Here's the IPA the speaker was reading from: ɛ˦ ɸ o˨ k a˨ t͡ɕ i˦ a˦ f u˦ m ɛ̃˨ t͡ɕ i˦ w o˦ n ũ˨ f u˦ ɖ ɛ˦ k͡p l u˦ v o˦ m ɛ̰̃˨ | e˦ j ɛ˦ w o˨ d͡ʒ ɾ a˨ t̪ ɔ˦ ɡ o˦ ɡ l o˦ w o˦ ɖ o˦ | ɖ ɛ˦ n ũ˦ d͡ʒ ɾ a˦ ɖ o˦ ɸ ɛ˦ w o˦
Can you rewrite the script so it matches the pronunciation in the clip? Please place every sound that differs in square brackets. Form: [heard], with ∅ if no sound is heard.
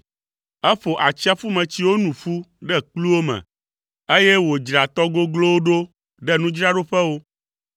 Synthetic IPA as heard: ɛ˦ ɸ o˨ [ʔ] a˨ t͡ɕ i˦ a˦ f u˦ m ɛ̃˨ t͡ɕ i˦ w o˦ n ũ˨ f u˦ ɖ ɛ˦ k͡p l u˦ [w] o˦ m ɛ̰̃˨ | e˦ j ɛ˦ w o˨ d͡ʒ ɾ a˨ t̪ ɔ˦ ɡ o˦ ɡ l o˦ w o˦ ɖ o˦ | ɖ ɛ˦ n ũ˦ d͡ʒ ɾ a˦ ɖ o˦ ɸ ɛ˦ w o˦

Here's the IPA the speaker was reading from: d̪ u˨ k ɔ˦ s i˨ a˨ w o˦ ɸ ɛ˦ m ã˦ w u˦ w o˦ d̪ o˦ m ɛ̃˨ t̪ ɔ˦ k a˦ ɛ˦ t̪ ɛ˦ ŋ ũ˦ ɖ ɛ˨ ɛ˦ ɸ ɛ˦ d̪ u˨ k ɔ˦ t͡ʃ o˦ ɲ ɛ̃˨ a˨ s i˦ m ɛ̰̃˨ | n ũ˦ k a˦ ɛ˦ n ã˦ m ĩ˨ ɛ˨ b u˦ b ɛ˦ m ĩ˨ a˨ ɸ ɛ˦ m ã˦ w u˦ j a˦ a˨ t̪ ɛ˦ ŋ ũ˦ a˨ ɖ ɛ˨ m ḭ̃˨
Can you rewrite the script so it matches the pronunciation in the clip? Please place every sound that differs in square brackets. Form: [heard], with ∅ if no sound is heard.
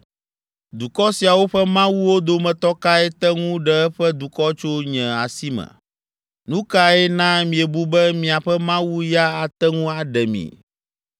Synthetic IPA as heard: d̪ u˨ k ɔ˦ s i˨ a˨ w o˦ ɸ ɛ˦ m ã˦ w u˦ w o˦ d̪ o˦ m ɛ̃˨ t̪ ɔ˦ k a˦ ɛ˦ t̪ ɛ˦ ŋ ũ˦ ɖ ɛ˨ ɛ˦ ɸ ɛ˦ d̪ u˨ k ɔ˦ t͡ʃ o˦ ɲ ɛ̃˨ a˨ s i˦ m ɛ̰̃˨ | n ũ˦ k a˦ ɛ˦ n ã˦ m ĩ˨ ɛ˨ b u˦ b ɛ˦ m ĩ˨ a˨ ɸ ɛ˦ m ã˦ w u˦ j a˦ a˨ t̪ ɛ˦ ŋ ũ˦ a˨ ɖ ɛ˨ m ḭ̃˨

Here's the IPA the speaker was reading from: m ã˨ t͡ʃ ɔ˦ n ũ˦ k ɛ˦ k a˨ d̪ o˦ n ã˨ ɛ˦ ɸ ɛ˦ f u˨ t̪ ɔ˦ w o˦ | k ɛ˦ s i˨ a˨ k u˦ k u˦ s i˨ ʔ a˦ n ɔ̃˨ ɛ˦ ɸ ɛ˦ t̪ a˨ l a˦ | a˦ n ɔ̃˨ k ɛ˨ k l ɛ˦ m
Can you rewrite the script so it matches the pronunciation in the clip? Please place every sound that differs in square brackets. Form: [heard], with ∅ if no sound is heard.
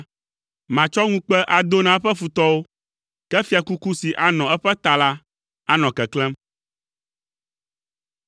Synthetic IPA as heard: m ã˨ t͡ʃ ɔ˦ [ŋ] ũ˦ [k͡p] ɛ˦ [ʔ] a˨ d̪ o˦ n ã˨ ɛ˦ ɸ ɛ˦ f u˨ t̪ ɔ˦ w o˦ | k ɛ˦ [f] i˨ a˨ k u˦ k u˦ s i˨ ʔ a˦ n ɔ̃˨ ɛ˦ ɸ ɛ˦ t̪ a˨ l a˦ | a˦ n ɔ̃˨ k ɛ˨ k l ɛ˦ m

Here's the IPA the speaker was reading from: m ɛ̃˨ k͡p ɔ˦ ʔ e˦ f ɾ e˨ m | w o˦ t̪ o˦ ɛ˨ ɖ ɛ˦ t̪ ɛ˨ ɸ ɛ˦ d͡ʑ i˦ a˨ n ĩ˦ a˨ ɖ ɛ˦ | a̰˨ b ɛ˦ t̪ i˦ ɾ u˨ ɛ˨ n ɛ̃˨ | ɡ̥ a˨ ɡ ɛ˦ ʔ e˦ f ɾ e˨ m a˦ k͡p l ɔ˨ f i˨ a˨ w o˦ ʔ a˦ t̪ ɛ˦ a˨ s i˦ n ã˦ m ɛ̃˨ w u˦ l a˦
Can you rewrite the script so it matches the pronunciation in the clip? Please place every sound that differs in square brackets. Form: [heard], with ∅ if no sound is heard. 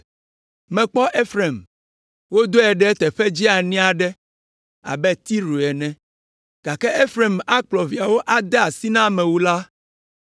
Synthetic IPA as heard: m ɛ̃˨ k͡p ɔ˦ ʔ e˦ f ɾ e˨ m | w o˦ [d̪] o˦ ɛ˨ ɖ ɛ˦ t̪ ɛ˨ ɸ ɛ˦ d͡ʑ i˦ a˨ n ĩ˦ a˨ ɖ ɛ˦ | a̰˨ b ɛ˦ t̪ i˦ ɾ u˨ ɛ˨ n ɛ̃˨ | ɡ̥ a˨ [k] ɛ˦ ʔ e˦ f ɾ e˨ m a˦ k͡p l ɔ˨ [v] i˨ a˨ w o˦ ʔ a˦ [d̪] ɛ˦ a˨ s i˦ n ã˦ m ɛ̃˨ w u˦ l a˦

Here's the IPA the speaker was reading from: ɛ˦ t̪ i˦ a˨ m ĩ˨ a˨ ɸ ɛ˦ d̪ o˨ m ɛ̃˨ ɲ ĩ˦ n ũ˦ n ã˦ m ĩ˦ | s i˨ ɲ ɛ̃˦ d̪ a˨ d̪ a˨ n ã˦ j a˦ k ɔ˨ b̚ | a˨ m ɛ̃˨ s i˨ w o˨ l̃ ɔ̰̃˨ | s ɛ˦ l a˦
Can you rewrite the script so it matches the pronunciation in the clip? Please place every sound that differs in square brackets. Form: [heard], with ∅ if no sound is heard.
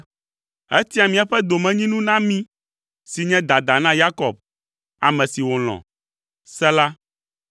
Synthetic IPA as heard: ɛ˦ t̪ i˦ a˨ m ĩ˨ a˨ ɸ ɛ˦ d̪ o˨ m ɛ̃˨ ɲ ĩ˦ n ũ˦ n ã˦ m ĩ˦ | s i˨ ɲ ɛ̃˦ d̪ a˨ d̪ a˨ n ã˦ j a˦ k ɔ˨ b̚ | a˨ m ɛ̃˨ s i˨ w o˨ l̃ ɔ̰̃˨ | s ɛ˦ l a˦

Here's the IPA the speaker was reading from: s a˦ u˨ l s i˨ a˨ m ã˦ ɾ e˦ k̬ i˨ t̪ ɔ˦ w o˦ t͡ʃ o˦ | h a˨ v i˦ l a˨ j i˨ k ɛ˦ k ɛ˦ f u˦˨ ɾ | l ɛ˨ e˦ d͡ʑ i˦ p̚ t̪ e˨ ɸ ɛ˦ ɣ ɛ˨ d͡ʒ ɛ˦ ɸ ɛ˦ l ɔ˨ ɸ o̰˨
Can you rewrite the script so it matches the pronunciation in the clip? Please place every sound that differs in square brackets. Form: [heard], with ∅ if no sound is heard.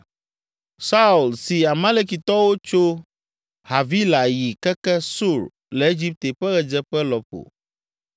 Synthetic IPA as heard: s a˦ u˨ l s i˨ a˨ m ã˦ [l] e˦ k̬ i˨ t̪ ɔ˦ w o˦ t͡ʃ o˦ | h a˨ v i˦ l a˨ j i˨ k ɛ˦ k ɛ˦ [s] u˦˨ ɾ | l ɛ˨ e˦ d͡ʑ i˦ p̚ t̪ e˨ ɸ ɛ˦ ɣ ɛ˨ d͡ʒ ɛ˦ ɸ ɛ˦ l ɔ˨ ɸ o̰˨

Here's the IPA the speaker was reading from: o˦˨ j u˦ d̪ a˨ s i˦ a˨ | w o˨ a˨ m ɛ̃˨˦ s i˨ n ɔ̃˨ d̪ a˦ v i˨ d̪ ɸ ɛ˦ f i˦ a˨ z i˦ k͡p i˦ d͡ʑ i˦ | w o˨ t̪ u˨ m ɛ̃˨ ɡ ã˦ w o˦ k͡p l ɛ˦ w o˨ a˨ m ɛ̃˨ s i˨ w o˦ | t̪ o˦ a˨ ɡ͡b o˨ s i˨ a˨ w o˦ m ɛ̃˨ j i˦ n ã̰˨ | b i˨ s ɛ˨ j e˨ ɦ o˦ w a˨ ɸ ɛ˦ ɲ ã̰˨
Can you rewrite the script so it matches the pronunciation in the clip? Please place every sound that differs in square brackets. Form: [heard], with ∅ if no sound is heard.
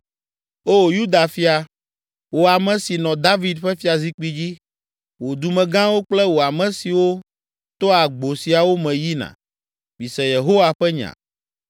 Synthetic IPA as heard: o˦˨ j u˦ d̪ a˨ [f] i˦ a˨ | w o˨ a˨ m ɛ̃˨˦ s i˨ n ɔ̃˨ d̪ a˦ v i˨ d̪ ɸ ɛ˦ f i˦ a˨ z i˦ k͡p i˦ d͡ʑ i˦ | w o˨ [d̪] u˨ m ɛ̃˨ ɡ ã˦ w o˦ k͡p l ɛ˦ w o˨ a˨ m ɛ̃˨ s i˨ w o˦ | t̪ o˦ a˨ ɡ͡b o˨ s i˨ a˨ w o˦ m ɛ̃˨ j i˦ n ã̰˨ | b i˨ s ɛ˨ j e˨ ɦ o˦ w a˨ ɸ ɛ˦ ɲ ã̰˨

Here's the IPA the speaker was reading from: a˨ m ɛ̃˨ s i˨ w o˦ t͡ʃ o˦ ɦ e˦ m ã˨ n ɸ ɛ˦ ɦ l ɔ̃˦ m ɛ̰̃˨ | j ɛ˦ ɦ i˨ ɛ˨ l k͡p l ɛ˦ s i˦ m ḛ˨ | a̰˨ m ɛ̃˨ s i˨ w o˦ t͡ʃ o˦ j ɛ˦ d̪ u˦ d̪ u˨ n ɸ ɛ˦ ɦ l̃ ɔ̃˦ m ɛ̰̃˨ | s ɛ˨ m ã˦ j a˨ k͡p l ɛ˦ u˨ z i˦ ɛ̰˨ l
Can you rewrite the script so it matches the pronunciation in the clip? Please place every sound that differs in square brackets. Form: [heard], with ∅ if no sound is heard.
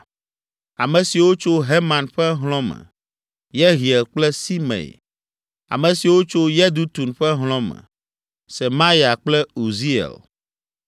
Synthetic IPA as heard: a˨ m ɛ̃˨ s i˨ w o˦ t͡ʃ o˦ ɦ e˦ m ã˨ n ɸ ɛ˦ ɦ l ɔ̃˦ m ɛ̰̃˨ | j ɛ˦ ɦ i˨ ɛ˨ l k͡p l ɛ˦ s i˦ m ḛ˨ | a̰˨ m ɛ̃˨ s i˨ w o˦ t͡ʃ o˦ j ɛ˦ d̪ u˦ [t̪] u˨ n ɸ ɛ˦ ɦ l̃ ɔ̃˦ m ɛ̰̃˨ | s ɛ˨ m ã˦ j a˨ k͡p l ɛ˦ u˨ z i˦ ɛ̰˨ l

